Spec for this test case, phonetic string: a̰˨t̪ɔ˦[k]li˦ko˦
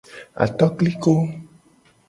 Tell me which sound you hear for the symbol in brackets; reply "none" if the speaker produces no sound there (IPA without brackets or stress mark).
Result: k